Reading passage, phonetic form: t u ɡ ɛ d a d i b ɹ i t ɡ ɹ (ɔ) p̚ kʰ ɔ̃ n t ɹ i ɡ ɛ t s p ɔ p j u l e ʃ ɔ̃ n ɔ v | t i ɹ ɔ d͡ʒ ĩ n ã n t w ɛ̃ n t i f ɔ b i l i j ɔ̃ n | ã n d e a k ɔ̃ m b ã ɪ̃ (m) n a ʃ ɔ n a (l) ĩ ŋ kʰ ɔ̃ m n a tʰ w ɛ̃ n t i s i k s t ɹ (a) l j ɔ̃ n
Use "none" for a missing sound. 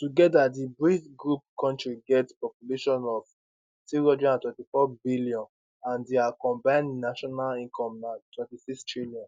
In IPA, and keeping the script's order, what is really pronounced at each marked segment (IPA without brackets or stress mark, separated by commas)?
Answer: u, n, l, i